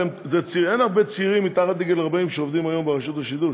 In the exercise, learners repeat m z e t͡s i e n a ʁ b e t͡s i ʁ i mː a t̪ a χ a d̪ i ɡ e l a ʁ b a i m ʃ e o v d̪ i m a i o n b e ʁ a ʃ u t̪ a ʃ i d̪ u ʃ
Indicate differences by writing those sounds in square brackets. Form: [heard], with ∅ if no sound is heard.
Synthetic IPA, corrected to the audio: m z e t͡s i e n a ʁ b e t͡s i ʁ i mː [i] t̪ a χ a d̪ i ɡ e l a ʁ b a i m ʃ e o v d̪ i m a [j] o [m] b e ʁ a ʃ u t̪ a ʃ i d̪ u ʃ